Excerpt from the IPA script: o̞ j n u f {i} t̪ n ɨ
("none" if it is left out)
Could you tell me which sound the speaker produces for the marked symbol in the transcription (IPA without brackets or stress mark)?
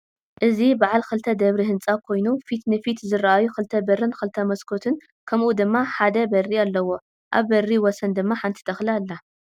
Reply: i